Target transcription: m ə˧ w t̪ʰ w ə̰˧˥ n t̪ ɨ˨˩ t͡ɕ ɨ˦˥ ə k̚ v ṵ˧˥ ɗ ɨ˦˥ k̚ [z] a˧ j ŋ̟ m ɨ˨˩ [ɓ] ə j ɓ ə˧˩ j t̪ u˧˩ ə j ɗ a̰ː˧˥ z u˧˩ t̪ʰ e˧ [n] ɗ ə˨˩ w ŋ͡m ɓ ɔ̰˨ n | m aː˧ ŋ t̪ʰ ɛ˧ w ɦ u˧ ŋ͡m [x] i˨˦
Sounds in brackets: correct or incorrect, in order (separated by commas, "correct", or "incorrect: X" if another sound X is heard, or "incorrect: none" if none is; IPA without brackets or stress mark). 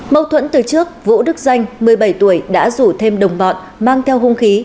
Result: correct, incorrect: none, incorrect: m, correct